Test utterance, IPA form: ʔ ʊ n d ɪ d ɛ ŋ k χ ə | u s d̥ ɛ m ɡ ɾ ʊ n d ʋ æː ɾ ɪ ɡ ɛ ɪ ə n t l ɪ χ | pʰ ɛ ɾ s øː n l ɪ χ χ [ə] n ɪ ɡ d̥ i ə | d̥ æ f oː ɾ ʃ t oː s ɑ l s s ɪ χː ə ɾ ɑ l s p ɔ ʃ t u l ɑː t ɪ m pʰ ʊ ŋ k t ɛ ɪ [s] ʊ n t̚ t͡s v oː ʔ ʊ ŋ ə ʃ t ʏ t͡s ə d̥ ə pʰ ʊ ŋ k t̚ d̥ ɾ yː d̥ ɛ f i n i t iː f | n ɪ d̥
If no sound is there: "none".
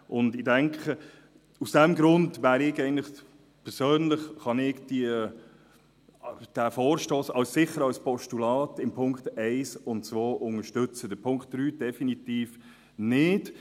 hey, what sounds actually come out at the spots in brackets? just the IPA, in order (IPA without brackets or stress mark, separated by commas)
ɑ, s